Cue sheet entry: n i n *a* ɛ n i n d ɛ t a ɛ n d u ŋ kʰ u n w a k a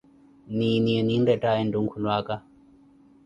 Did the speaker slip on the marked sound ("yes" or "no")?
yes